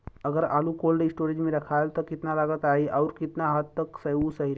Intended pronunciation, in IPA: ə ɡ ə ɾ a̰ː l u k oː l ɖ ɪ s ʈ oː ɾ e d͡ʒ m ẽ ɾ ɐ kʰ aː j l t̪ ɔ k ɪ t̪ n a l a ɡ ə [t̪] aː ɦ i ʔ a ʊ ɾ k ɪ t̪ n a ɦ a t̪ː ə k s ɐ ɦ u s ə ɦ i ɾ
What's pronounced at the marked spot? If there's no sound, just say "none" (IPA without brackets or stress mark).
t̪